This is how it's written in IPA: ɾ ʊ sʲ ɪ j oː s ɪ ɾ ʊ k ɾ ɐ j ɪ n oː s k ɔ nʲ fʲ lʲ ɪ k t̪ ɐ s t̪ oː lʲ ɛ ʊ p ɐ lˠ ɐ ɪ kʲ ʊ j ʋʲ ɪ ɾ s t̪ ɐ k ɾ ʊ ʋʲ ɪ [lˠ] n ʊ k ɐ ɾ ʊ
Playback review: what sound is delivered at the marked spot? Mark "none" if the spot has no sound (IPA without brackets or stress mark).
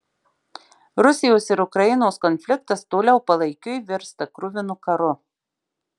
none